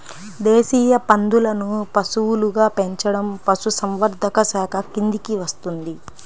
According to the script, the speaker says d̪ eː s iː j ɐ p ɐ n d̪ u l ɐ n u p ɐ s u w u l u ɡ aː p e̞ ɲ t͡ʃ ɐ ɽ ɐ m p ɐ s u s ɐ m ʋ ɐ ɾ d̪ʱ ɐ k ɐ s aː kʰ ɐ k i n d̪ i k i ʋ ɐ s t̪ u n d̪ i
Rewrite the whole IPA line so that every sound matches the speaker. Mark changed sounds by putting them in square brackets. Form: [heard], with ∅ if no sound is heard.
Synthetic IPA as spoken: d̪ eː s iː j ɐ p ɐ n d̪ u l ɐ n u p ɐ s u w u l u ɡ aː p e̞ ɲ t͡ʃ ɐ ɽ ɐ m p ɐ s u s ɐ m ʋ ɐ ɾ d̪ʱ ɐ k ɐ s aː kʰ ɐ k i n d̪ i k i ʋ ɐ s t̪ u n d̪ i